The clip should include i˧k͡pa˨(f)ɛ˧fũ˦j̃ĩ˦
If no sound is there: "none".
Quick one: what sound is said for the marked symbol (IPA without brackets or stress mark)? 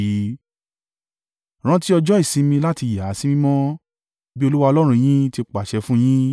ʃ